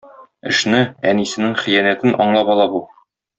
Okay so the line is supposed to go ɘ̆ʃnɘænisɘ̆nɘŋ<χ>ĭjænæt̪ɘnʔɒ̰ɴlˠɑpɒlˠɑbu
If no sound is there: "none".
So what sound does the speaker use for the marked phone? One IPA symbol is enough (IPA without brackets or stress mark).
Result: χ